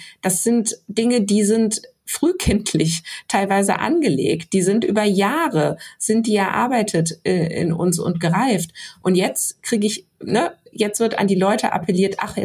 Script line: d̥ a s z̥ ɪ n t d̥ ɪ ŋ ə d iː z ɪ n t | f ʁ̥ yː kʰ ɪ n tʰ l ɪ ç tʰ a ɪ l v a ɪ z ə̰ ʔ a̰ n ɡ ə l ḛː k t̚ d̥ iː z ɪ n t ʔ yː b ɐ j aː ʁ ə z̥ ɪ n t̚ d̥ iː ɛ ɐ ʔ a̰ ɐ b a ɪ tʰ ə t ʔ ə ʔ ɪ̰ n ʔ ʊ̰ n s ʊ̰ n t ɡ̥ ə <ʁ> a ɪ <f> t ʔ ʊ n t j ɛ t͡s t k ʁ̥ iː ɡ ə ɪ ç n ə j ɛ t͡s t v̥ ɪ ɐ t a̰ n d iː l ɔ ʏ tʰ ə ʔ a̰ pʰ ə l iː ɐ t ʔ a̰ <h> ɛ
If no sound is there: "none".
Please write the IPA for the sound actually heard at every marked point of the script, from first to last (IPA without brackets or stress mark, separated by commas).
ʁ, f, χ